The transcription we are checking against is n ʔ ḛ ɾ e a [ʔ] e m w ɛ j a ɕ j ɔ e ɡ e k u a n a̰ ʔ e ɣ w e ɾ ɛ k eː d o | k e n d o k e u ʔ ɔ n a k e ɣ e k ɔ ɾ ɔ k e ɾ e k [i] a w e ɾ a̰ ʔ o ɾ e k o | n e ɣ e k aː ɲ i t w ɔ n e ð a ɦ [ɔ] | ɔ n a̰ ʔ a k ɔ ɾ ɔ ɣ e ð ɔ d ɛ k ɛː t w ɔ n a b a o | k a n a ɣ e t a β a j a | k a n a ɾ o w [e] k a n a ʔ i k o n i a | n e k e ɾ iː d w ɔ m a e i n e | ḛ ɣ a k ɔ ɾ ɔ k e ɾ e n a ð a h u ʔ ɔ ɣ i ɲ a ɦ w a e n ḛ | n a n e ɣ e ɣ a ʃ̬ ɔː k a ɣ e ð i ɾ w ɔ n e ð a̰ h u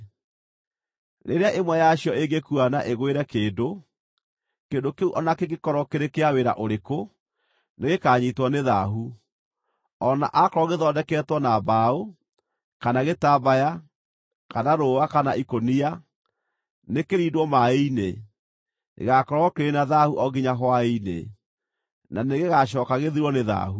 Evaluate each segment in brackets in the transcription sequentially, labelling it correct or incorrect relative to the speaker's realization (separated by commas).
correct, incorrect, incorrect, incorrect